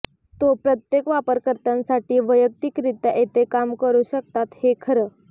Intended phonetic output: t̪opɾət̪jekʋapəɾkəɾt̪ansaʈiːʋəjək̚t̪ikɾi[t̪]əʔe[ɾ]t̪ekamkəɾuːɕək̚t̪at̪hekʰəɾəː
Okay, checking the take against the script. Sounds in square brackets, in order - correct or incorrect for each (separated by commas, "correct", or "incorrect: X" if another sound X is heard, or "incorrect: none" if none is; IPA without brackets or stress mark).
correct, incorrect: none